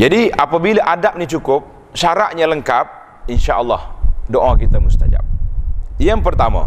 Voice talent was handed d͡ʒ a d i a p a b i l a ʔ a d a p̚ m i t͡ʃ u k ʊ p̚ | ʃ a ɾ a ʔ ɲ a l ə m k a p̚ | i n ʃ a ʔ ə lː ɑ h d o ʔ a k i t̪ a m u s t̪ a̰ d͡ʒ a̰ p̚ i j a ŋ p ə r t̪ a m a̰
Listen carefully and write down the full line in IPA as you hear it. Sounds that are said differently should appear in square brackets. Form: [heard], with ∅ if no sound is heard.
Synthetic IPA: d͡ʒ a d i a p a b i l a ʔ a d a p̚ [n] i t͡ʃ u k ʊ p̚ | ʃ a ɾ a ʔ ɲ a l ə [ŋ] k a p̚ | i n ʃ a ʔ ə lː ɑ h d o ʔ a k i t̪ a m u s t̪ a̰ d͡ʒ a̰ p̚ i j a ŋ p ə r t̪ a m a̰